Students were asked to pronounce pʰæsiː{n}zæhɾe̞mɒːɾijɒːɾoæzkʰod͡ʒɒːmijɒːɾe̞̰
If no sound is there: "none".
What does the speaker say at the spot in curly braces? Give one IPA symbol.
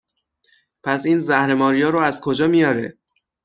n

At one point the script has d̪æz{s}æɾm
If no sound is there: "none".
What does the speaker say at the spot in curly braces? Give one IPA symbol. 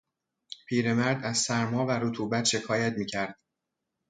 s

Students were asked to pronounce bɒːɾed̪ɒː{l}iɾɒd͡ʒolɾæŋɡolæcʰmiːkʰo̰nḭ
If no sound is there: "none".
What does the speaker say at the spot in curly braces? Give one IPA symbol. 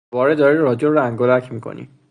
ɾ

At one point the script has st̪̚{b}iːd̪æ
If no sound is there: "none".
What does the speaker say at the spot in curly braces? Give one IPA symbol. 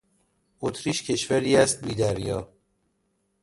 b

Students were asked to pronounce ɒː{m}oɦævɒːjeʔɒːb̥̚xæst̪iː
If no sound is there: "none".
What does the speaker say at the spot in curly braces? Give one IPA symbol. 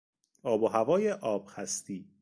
b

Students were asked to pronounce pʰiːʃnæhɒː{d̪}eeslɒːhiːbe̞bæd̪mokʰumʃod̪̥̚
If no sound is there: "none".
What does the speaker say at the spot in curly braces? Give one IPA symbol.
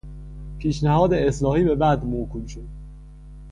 d̪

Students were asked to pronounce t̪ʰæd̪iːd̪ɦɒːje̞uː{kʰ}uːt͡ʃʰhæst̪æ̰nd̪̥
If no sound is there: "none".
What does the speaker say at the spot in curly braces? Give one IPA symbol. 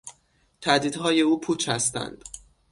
pʰ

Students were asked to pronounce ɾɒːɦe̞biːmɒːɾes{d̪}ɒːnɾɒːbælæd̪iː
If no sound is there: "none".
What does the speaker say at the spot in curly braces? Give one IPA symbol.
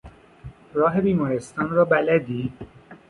t̪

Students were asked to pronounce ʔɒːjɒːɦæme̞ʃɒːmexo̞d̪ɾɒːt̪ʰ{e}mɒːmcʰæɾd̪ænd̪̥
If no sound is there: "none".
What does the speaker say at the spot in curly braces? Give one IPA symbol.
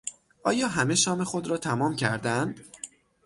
æ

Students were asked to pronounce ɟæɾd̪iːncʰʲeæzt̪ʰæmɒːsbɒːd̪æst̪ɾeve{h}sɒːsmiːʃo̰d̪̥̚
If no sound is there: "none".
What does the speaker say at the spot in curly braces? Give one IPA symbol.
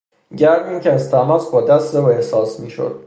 h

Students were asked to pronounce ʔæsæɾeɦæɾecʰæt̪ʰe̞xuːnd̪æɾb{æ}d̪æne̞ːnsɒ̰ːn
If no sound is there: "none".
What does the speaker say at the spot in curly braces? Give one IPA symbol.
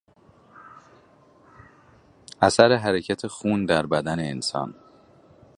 æ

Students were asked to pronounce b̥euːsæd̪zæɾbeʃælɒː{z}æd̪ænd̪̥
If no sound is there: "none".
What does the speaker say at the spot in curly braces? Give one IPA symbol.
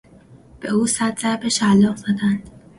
z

